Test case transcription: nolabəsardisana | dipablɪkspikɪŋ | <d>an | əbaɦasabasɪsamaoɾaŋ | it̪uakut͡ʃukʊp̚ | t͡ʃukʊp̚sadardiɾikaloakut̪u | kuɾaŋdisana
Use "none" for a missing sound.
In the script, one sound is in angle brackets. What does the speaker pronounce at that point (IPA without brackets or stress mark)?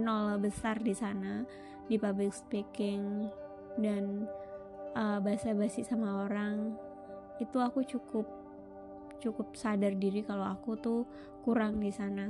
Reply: d